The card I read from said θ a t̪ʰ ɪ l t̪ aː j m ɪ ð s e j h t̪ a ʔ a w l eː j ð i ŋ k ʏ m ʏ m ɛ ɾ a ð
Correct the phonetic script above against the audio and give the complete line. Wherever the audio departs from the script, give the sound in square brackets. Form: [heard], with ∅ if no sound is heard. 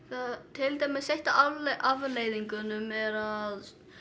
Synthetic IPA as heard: θ a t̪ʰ ɪ l t̪ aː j m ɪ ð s e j h t̪ a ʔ a [v] l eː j ð i ŋ k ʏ [n] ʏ m ɛ ɾ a ð

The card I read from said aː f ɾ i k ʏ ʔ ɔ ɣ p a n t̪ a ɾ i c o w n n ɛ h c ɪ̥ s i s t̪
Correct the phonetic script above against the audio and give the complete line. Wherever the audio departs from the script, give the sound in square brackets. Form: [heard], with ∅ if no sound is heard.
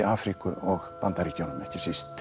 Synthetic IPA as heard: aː f ɾ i k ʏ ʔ ɔ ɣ p a n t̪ a ɾ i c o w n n ɛ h c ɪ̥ s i s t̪

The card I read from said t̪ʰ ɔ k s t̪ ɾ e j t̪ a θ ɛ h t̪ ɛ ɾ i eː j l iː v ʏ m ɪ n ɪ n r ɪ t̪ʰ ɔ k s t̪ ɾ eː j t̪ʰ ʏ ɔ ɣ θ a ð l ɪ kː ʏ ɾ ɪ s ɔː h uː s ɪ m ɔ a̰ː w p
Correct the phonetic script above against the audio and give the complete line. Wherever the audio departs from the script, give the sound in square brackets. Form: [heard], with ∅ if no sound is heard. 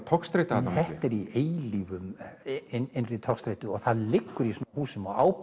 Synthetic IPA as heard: t̪ʰ ɔ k s t̪ ɾ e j t̪ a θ ɛ h t̪ ɛ ɾ i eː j l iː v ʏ m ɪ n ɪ n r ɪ t̪ʰ ɔ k s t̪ ɾ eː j [t̪] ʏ ɔ ɣ θ a ð l ɪ kː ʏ ɾ [i] s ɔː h uː s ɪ m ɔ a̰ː w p

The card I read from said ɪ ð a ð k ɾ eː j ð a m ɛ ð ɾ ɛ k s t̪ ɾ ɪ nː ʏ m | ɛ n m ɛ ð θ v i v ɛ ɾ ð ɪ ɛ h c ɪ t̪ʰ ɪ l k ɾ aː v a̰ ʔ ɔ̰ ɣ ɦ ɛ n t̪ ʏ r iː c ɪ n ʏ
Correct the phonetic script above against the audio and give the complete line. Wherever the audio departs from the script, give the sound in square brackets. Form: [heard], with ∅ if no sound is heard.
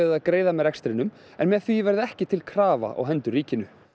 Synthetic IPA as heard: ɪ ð a ð k ɾ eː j ð a m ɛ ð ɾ ɛ k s t̪ ɾ ɪ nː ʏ m | ɛ n m ɛ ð θ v i v ɛ ɾ ð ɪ ɛ h c ɪ t̪ʰ ɪ l [kʰ] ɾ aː v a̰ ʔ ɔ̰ ɣ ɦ ɛ n t̪ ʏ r iː c ɪ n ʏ

